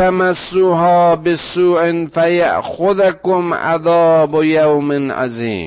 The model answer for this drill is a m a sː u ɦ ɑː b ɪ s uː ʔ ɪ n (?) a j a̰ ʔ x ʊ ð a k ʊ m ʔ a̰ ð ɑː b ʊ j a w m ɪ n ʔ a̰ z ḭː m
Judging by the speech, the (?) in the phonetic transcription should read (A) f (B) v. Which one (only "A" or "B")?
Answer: A